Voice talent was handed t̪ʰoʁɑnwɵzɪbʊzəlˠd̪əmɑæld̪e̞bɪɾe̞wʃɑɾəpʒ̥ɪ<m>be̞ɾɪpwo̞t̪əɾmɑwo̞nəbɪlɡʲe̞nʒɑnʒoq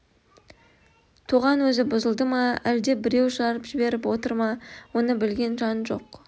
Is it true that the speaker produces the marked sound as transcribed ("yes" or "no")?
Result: no